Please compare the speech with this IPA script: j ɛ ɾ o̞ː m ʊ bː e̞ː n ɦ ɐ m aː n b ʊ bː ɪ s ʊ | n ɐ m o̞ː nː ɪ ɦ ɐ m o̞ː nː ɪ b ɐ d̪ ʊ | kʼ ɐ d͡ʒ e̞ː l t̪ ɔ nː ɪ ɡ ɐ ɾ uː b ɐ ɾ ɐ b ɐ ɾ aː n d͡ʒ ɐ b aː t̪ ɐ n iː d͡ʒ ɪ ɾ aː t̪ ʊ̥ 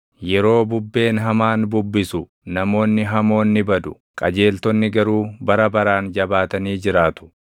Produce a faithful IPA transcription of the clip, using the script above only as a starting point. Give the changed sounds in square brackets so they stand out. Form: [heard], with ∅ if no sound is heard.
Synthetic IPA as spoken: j ɛ ɾ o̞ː [b] ʊ bː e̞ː n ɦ ɐ m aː n b ʊ bː ɪ s ʊ | n ɐ m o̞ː nː ɪ ɦ ɐ m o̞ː nː ɪ b ɐ d̪ ʊ | kʼ ɐ d͡ʒ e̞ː l t̪ ɔ nː ɪ ɡ ɐ ɾ uː b ɐ ɾ ɐ b ɐ ɾ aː n d͡ʒ ɐ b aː t̪ ɐ n iː d͡ʒ ɪ ɾ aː t̪ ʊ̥